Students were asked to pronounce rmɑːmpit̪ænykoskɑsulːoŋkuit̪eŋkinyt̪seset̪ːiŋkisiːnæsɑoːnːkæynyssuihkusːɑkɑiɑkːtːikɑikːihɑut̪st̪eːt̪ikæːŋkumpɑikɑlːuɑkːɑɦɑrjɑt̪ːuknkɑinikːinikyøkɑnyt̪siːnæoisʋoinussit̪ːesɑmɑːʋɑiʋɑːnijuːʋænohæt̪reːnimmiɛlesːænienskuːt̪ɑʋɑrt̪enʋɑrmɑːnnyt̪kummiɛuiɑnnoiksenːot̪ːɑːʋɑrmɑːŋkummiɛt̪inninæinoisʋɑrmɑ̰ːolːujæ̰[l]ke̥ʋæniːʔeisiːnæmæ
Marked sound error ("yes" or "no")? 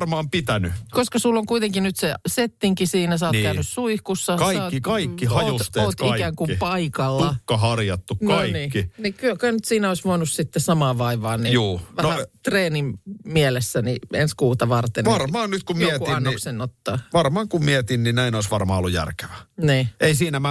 yes